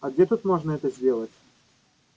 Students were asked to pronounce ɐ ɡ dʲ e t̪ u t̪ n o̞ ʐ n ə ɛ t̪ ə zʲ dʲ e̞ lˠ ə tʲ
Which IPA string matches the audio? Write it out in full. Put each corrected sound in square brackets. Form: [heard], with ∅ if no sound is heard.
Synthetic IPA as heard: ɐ ɡ dʲ e t̪ u t̪ [m] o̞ ʐ n ə ɛ t̪ ə zʲ dʲ e̞ lˠ ə tʲ